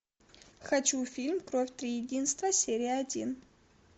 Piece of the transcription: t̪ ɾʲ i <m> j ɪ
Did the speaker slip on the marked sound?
yes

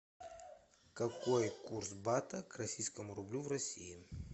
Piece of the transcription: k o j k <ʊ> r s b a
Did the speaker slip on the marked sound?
yes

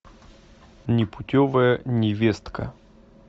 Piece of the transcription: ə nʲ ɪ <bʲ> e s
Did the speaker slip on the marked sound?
yes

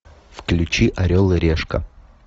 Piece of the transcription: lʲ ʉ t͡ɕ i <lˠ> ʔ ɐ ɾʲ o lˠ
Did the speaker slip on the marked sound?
yes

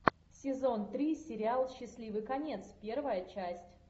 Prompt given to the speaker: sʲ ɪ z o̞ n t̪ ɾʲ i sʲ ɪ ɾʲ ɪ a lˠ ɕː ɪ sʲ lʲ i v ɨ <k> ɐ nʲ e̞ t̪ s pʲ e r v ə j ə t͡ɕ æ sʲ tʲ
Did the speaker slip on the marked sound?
no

